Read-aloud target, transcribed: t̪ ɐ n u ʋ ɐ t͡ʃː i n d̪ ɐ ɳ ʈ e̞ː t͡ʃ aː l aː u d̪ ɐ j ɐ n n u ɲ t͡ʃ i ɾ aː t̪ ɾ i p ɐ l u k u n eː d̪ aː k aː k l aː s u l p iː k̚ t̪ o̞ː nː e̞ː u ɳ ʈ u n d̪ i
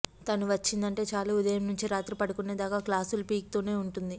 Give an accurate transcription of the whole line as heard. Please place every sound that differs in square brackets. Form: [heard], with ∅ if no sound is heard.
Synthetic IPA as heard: t̪ ɐ n u ʋ ɐ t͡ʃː i n d̪ ɐ ɳ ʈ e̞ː t͡ʃ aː l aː u d̪ ɐ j ɐ [m] n u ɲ t͡ʃ i ɾ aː t̪ ɾ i p ɐ [ɽ] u k u n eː d̪ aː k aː k l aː s u l p iː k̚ t̪ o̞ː [n] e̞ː u ɳ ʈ u n d̪ i

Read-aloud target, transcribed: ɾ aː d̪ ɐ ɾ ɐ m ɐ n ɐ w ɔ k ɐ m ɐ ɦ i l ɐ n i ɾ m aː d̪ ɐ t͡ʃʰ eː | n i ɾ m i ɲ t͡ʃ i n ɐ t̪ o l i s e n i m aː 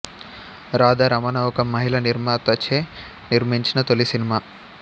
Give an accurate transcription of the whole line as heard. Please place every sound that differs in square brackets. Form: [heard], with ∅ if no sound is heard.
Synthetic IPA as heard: ɾ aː d̪ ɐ ɾ ɐ m ɐ n ɐ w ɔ k ɐ m ɐ ɦ i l ɐ n i ɾ m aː [t̪] ɐ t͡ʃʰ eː | n i ɾ m i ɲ t͡ʃ i n ɐ t̪ o l i s [i] n i m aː

